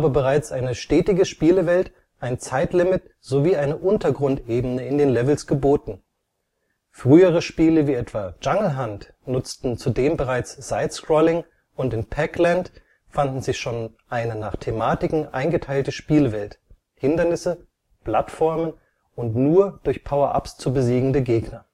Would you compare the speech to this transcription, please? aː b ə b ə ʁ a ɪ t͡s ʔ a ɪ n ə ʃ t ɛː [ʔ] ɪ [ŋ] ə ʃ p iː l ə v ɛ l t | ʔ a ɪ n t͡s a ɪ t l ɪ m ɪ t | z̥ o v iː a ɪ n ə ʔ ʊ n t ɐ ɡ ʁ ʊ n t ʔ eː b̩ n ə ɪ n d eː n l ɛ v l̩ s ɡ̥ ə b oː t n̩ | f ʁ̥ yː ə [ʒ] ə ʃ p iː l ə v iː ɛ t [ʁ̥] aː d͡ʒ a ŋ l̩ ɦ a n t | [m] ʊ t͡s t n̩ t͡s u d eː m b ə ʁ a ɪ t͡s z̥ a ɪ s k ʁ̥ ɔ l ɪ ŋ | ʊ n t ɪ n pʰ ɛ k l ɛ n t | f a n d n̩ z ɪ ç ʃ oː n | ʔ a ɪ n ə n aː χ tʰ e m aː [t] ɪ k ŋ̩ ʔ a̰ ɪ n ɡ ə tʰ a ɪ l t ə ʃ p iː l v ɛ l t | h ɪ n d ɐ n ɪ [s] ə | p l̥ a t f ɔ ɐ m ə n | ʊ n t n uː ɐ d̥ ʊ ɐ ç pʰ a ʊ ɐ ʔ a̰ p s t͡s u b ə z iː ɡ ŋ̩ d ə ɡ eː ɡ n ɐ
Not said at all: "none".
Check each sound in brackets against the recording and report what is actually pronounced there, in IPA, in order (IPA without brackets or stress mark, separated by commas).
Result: t, ɡ, ʁ, v̥, n, t, s